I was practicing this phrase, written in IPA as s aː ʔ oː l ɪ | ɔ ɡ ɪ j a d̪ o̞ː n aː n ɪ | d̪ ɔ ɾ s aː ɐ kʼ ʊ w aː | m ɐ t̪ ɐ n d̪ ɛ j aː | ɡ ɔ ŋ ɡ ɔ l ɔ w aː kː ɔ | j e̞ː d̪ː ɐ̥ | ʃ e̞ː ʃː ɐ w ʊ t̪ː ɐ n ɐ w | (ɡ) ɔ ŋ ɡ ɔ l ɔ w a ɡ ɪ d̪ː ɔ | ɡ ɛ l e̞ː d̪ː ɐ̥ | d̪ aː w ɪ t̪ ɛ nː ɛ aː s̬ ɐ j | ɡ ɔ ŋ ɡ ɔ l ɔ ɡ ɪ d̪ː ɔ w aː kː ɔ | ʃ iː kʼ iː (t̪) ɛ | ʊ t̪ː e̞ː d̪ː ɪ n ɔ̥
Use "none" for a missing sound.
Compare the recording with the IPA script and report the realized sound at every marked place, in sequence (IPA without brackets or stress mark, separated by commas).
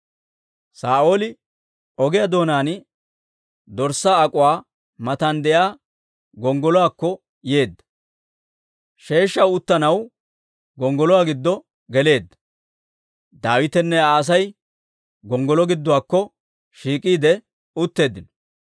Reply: ɡ, d̪